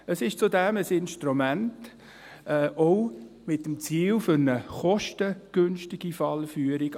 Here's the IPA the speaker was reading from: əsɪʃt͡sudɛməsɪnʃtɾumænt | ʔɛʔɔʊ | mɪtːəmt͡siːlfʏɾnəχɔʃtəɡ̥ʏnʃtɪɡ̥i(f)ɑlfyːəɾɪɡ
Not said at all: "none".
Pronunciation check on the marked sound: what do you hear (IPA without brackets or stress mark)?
f